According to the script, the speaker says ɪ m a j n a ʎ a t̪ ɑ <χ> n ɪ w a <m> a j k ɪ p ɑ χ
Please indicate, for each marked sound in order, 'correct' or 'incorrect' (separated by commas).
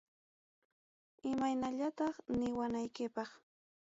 correct, incorrect